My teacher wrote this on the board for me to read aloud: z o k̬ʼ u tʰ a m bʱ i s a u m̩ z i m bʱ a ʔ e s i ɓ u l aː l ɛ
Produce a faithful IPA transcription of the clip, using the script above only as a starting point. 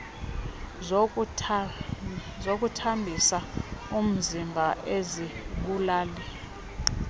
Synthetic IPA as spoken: z o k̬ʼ u tʰ a m bʱ i s a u m̩ z i m bʱ a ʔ e z i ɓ u l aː l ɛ